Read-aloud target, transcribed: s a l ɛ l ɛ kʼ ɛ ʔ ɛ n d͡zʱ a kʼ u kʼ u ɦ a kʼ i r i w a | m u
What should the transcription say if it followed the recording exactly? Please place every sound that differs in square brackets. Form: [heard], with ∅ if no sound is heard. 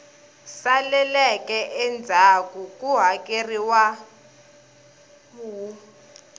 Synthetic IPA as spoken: s a l ɛ l ɛ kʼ ɛ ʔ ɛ n d͡zʱ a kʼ u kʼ u ɦ a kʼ [e] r i w a | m u